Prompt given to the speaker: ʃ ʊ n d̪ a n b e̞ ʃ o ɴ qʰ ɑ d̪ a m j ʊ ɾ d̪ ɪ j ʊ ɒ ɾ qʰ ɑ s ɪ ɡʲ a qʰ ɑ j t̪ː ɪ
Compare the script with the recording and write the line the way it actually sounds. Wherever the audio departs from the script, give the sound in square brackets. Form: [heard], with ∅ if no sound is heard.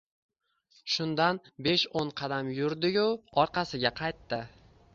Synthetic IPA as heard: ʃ ʊ n d̪ a n b e̞ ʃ o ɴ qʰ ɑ d̪ a m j ʊ ɾ d̪ ɪ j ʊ ɒ ɾ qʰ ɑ s ɪ ɡʲ a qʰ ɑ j t̪ː ɪ